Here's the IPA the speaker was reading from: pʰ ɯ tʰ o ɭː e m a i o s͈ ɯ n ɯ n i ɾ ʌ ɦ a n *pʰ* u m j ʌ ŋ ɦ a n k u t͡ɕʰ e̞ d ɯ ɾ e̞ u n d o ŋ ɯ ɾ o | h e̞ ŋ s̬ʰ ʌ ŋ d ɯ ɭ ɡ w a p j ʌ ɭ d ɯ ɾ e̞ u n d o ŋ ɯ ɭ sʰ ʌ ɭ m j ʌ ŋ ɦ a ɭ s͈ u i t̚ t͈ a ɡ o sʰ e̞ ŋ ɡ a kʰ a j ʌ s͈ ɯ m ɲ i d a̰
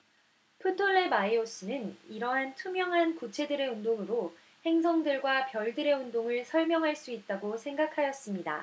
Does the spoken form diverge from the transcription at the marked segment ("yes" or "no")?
yes